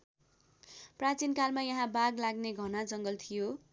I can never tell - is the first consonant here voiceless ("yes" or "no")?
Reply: yes